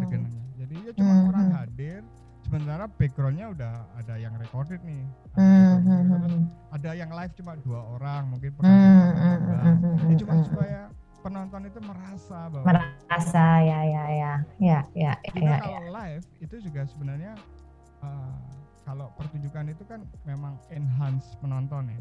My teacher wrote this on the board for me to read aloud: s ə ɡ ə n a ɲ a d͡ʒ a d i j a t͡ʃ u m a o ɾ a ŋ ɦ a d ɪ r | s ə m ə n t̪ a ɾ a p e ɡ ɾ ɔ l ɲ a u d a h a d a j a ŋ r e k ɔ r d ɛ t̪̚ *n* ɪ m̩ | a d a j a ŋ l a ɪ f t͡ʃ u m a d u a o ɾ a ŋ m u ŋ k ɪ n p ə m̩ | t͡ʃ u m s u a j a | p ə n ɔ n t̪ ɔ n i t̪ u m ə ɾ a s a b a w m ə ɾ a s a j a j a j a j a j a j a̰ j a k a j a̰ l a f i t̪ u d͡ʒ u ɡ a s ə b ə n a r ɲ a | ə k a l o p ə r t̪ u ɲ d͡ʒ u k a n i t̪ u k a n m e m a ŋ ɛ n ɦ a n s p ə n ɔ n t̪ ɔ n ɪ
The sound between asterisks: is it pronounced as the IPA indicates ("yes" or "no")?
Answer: yes